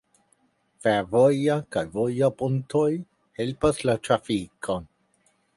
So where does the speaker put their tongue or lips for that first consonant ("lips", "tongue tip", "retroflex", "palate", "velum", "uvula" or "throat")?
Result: lips